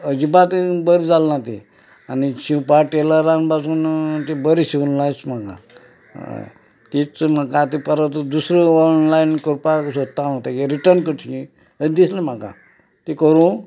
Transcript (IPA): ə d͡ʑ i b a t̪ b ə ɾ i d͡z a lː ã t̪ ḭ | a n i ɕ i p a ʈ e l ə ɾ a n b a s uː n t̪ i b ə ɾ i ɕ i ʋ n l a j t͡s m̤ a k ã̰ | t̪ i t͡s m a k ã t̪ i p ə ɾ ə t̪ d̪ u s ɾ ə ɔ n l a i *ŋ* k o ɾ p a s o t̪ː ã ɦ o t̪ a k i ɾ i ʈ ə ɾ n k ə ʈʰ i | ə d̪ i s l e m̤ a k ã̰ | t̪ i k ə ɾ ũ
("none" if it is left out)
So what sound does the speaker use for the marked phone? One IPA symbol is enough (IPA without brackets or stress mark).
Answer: n